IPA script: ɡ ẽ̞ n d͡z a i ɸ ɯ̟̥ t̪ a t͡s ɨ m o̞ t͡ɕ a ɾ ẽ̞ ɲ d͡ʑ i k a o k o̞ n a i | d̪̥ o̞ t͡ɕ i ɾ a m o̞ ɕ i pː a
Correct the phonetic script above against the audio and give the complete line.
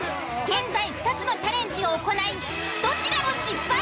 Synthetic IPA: ɡ ẽ̞ n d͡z a i ɸ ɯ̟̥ t̪ a t͡s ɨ n o̞ t͡ɕ a ɾ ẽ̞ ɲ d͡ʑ i ɡ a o k o̞ n a i | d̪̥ o̞ t͡ɕ i ɾ a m o̞ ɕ i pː a

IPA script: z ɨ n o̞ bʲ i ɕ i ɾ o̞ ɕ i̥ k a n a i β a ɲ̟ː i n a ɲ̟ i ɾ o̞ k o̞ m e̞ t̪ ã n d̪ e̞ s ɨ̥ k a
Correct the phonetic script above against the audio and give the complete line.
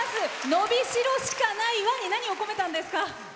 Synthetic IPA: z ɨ n o̞ bʲ i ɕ i ɾ o̞ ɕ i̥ k a n a i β a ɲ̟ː i n a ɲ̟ i o̞ k o̞ m e̞ t̪ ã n d̪ e̞ s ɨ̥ k a

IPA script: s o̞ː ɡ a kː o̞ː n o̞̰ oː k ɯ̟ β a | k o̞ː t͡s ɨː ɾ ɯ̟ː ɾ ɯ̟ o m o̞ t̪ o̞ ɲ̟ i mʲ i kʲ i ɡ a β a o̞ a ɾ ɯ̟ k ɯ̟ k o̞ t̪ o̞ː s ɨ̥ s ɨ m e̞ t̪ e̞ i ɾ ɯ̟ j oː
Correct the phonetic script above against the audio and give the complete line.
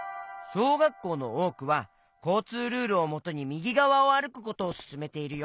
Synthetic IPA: s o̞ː ɡ a kː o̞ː n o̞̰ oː k ɯ̟ β a | k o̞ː t͡s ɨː ɾ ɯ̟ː ɾ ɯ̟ o m o̞ t̪ o̞ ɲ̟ i mʲ i ɡʲ i ɡ a β a o̞ a ɾ ɯ̟ k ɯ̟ k o̞ t̪ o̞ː s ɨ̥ s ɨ m e̞ t̪ e̞ i ɾ ɯ̟ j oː

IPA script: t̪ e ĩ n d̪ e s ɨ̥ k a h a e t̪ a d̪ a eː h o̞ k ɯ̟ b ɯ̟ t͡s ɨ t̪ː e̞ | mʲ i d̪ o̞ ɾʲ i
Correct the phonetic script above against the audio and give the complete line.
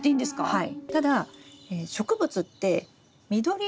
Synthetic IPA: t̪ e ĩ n d̪ e s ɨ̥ k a h a i t̪ a d̪ a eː ɕ o̞ k ɯ̟ b ɯ̟ t͡s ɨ t̪ː e̞ | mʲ i d̪ o̞ ɾʲ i

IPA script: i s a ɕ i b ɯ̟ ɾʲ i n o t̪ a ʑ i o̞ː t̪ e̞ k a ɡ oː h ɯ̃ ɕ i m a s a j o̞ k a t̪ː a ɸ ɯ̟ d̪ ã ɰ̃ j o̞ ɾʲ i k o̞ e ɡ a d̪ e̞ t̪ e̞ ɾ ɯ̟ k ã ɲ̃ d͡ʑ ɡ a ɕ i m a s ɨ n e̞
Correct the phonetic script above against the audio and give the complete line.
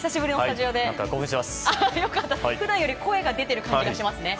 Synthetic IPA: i s a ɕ i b ɯ̟ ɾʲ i n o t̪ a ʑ i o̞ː d̪ e̞ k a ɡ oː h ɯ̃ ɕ i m a s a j o̞ k a t̪ː a ɸ ɯ̟ d̪ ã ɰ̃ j o̞ ɾʲ i k o̞ e ɡ a d̪ e̞ t̪ e̞ ɾ ɯ̟ k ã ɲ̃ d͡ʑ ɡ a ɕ i m a s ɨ n e̞

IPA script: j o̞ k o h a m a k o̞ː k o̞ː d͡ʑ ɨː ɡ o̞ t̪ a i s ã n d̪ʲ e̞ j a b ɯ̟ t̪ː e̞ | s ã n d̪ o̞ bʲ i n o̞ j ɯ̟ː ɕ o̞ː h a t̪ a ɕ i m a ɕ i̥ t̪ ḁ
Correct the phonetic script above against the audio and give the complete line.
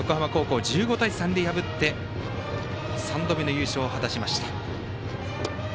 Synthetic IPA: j o̞ k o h a m a k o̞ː k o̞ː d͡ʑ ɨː ɡ o̞ t̪ a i s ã n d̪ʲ e̞ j a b ɯ̟ t̪ː e̞ | s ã n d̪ o̞ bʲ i n o̞ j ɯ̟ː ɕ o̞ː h a t̪ a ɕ i m a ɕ i̥ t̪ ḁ

